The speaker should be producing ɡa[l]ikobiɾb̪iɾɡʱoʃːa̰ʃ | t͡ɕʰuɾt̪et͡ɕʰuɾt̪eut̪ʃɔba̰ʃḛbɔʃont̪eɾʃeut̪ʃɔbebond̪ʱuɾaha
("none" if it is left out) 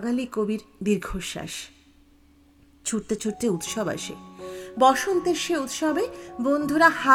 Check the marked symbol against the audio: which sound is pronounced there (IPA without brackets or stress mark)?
l